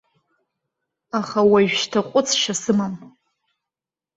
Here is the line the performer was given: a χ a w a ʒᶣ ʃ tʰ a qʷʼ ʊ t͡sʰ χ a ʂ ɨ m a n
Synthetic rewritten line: a χ a w a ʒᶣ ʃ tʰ a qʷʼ ʊ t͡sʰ ʃ a s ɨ m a m